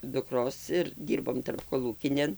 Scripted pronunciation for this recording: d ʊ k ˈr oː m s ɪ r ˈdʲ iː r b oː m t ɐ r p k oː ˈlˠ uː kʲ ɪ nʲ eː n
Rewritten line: d ʊ k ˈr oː s ɪ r ˈdʲ iː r b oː m t ɐ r p k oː ˈlˠ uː kʲ ɪ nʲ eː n